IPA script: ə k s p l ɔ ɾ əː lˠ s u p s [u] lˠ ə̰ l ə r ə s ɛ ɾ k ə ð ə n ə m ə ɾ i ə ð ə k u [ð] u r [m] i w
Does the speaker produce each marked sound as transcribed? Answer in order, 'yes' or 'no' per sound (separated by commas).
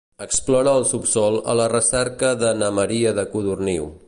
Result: no, yes, no